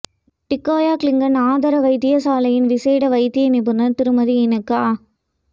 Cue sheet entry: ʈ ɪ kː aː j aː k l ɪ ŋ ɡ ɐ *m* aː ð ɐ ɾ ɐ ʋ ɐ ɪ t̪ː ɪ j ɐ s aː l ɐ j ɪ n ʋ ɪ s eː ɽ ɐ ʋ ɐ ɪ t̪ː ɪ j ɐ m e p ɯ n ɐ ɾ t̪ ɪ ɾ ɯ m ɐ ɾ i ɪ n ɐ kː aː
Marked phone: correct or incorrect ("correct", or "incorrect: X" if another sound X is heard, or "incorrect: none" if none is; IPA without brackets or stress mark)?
incorrect: n